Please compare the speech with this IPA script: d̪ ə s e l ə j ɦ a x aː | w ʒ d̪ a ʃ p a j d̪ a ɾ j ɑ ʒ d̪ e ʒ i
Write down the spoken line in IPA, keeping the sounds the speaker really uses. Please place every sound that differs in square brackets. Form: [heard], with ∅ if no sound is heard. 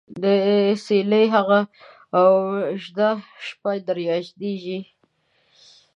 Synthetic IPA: d̪ ə s e l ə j ɦ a [ɣ] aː | w ʒ d̪ a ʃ p a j d̪ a ɾ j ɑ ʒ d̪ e ʒ i